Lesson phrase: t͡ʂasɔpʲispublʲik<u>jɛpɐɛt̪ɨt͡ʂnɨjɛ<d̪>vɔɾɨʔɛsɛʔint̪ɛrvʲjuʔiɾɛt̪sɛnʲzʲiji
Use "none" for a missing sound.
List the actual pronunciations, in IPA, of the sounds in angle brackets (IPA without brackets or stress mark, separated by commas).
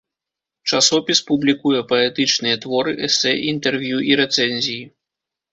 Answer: u, t̪